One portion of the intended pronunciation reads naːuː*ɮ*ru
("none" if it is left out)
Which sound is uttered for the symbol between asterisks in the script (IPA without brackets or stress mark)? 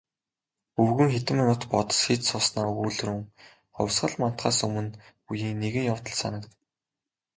ɮ